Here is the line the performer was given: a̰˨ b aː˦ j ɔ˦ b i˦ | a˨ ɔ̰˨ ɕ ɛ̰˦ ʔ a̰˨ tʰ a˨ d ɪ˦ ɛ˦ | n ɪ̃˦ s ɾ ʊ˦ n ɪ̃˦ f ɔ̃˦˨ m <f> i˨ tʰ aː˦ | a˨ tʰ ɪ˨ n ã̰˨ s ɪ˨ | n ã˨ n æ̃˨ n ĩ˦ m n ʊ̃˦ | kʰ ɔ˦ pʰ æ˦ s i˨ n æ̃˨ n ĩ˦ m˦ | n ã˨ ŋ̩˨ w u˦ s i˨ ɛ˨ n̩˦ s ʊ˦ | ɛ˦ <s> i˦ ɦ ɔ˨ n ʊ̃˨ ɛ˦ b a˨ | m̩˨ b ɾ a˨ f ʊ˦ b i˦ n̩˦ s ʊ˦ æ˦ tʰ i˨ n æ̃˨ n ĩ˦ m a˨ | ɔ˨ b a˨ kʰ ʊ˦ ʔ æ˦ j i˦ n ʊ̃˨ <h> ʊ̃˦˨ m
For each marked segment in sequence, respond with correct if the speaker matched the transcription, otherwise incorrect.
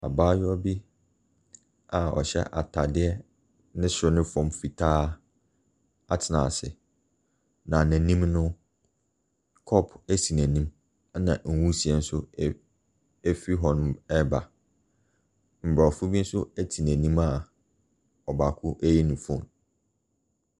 correct, incorrect: f, incorrect: f

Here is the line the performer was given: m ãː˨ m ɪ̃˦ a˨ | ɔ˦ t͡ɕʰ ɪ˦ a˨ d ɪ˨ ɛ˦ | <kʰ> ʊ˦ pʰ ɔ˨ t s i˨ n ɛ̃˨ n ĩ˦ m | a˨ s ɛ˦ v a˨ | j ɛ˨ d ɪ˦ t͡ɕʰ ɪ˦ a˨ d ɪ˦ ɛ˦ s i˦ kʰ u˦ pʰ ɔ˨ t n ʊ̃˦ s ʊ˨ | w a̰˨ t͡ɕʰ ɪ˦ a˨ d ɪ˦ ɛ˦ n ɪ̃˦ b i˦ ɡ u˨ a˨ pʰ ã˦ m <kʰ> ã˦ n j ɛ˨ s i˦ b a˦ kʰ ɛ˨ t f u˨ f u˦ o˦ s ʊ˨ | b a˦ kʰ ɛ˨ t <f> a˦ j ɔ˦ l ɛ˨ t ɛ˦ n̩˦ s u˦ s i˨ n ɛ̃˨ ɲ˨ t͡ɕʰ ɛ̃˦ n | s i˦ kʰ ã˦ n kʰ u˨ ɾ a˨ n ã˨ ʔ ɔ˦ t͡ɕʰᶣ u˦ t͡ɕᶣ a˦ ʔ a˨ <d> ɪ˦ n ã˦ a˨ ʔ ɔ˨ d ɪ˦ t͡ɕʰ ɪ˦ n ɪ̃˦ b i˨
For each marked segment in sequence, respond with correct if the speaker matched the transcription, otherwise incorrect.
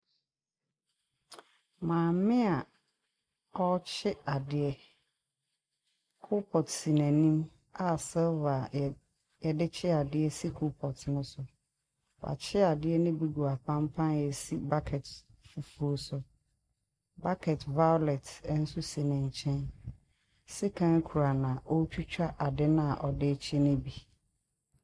correct, incorrect: pʰ, incorrect: v, correct

